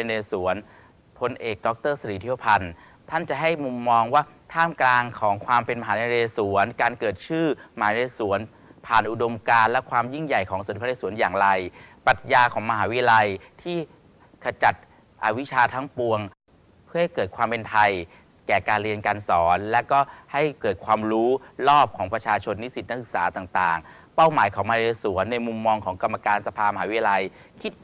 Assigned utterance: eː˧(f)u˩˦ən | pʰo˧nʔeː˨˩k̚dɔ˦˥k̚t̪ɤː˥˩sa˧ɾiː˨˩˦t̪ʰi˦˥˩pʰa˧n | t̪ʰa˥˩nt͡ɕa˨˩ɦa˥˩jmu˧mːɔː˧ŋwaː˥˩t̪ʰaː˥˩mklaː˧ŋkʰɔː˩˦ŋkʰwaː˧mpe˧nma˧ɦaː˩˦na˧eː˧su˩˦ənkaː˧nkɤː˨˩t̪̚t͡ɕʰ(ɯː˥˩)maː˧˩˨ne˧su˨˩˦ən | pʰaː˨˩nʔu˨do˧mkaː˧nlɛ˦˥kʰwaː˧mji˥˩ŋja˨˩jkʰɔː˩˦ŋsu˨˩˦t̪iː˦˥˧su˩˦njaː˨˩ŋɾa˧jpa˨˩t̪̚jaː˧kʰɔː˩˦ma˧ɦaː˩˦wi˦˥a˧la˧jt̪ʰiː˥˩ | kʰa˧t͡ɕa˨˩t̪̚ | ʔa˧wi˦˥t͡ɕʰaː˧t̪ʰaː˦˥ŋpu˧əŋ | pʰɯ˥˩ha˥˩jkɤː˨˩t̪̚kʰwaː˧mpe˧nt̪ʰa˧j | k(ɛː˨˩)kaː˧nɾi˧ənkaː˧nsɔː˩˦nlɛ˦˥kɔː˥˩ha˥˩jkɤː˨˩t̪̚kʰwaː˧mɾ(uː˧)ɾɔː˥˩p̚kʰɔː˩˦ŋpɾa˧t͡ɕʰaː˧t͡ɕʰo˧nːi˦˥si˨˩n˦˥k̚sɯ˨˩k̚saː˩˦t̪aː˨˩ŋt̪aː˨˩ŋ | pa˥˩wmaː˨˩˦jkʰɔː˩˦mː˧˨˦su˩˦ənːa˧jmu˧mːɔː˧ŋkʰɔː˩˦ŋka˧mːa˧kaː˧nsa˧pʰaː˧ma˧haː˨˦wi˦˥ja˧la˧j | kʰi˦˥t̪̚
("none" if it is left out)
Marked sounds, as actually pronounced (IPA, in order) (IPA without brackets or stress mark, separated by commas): s, ɯː˥˩, ɛː˨˩, uː˦˥